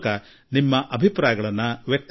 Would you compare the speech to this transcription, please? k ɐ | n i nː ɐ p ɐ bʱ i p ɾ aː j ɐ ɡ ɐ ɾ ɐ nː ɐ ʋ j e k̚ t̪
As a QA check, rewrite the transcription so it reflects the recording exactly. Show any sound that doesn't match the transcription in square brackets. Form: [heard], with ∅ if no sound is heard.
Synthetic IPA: k ɐ | n i [mː] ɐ [ʔ] ɐ bʱ i p ɾ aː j ɐ ɡ ɐ [ɭ] ɐ nː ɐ ʋ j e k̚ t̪